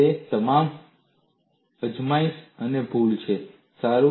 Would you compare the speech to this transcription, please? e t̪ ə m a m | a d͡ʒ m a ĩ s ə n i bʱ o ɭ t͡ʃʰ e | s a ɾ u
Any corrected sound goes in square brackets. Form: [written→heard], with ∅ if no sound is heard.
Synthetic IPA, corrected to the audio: e t̪ ə m a m | [a→ə] d͡ʒ m a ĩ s ə n [i→e] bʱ [o→u] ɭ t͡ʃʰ e | s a ɾ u